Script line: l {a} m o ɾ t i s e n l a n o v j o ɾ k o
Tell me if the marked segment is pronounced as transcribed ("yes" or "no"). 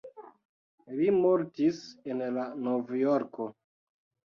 no